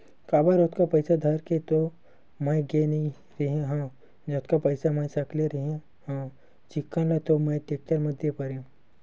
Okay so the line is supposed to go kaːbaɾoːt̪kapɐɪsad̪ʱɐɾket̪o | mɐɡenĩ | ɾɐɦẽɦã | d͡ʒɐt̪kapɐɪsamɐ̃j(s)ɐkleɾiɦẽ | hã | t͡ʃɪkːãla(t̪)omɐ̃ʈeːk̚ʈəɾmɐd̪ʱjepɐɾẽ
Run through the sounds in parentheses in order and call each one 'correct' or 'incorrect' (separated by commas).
correct, correct